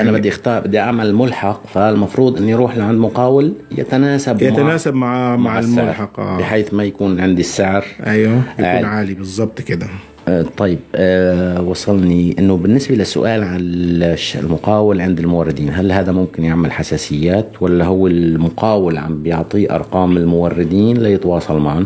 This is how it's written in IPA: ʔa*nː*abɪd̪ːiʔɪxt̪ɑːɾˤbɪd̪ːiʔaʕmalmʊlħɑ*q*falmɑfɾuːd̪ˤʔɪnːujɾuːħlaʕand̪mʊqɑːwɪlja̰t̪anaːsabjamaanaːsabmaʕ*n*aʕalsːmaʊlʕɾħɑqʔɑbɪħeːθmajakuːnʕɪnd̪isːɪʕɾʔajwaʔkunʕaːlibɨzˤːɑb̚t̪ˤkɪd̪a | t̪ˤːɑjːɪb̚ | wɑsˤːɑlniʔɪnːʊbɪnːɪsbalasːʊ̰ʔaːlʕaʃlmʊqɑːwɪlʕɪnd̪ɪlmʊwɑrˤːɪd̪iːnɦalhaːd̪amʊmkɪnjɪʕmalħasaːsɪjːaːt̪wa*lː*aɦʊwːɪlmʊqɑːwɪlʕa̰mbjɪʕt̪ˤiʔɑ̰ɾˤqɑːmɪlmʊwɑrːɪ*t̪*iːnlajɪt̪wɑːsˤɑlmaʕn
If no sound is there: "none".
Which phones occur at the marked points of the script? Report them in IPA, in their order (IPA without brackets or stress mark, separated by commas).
n, q, m, lː, d̪